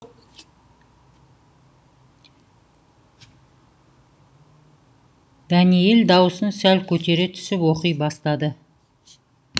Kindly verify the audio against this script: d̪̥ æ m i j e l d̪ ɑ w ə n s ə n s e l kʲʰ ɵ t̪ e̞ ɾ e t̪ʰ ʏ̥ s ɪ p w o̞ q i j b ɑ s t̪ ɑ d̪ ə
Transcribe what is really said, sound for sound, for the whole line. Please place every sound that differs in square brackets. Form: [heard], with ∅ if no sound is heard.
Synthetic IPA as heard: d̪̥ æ [n] i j e l d̪ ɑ w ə [∅] s ə n s [æ] l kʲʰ ɵ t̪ e̞ ɾ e t̪ʰ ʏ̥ s ɪ p w o̞ q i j b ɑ s t̪ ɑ d̪ ə